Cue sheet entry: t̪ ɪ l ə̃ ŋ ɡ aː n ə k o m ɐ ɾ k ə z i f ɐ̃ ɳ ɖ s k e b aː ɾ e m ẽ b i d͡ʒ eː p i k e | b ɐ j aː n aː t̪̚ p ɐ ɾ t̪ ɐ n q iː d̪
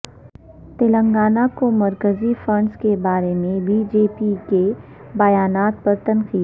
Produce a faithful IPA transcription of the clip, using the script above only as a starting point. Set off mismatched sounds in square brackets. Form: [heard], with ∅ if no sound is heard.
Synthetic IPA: t̪ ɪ l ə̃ ŋ ɡ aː n [a] k o m ɐ ɾ k ə z i f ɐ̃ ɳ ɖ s k e b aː ɾ e m ẽ b i d͡ʒ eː p i k e | b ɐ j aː n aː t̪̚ p ɐ ɾ t̪ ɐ n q iː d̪